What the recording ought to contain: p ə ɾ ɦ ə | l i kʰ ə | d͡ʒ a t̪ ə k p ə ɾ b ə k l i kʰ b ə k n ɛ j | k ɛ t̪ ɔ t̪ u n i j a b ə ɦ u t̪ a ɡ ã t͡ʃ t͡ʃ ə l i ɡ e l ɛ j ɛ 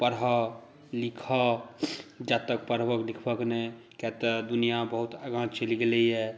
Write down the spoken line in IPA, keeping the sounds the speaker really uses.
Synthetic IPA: p ə ɾ ɦ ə | l i kʰ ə | d͡ʒ a t̪ ə k p ə ɾ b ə k l i kʰ b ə k n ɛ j | k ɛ t̪ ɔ d̪ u n i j a b ə ɦ u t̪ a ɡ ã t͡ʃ t͡ʃ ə l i ɡ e l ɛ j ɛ

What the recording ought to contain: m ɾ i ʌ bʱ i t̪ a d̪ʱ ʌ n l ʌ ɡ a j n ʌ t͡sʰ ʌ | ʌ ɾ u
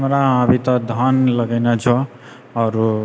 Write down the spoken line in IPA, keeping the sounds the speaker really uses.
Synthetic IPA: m ɾ a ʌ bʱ i t̪ ʌ d̪ʱ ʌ n l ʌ ɡ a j n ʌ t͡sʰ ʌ | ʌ ɾ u

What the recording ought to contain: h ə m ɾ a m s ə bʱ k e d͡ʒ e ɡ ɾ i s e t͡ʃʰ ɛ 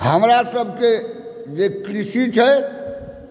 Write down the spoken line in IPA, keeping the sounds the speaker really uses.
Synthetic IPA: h ə m ɾ a s ə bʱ k e d͡ʒ e k ɾ i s i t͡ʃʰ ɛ

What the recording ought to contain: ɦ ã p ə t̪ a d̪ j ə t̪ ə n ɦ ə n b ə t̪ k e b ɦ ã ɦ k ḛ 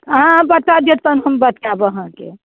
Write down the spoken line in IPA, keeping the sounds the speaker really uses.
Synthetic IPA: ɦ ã b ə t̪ a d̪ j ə t̪ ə n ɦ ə m b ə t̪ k a b ɦ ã k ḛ

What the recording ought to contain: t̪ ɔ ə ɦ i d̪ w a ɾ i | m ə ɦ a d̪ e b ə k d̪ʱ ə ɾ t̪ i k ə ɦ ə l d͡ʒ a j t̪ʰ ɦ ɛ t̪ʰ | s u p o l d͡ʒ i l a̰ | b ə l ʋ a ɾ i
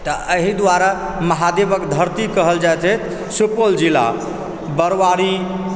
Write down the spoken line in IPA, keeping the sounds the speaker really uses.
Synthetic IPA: t̪ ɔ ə ɦ i d̪ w a ɾ a | m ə ɦ a d̪ e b ə k d̪ʱ ə ɾ t̪ i k ə ɦ ə l d͡ʒ a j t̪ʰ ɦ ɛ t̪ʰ | s u p o l d͡ʒ i l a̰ | b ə ɾ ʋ a ɾ i

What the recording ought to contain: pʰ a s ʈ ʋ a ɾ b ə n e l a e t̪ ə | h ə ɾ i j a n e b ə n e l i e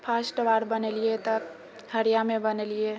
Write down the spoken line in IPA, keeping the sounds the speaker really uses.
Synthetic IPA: pʰ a s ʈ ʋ a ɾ b ə n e l i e t̪ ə | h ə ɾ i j a m e b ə n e l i e

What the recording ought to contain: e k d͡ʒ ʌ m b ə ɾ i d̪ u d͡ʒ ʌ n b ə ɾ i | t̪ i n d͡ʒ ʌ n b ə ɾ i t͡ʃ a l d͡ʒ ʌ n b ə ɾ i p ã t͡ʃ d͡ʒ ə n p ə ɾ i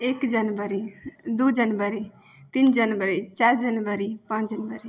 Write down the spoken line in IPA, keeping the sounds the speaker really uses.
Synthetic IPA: e k d͡ʒ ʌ n b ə ɾ i d̪ u d͡ʒ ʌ n b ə ɾ i | t̪ i n d͡ʒ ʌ n b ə ɾ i t͡ʃ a ɾ d͡ʒ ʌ n b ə ɾ i p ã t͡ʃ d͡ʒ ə n b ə ɾ i

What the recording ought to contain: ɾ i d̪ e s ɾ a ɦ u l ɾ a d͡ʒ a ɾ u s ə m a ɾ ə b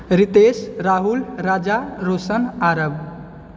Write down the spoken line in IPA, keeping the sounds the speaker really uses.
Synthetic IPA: ɾ i t̪ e s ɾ a ɦ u l ɾ a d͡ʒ a ɾ o s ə n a ɾ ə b

